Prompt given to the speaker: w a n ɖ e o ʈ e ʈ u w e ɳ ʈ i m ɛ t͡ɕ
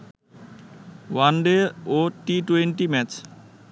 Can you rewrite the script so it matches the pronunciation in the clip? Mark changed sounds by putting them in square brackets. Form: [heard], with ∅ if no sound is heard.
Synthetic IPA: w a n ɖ e o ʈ [i] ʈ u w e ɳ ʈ i m ɛ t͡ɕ